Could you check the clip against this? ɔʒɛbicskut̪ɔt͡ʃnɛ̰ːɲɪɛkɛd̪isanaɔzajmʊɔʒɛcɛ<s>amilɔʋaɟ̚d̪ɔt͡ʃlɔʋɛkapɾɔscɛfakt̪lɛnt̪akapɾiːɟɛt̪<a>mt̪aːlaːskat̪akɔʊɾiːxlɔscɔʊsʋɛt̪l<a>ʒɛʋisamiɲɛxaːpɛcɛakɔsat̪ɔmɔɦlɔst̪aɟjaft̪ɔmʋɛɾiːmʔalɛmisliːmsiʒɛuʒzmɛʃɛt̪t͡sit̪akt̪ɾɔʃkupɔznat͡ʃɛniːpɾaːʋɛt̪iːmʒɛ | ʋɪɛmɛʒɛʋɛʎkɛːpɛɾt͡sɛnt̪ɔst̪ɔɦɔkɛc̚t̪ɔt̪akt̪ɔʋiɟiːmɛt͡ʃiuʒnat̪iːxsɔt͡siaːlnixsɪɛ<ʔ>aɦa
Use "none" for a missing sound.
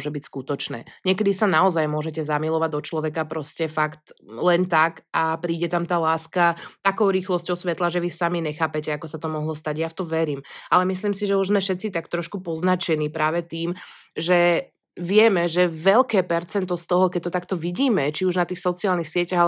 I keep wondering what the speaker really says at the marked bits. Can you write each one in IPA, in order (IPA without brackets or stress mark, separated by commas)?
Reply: z, a, a, c